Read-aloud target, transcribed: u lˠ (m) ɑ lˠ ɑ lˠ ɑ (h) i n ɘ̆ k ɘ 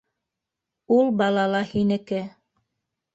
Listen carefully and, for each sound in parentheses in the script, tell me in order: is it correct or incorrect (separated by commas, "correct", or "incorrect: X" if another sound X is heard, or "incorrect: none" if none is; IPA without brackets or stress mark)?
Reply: incorrect: b, correct